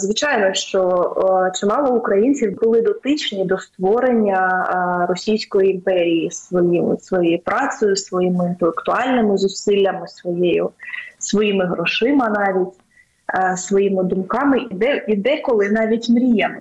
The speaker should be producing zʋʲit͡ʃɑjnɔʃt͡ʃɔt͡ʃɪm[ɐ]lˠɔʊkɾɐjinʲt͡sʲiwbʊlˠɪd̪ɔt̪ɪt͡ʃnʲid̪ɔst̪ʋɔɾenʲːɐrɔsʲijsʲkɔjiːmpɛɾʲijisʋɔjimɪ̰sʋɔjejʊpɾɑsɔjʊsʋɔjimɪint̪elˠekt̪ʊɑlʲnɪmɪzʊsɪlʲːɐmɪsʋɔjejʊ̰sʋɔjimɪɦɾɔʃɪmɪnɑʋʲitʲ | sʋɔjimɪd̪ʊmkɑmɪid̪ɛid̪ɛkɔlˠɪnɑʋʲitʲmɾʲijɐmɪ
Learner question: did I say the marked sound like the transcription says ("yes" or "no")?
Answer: no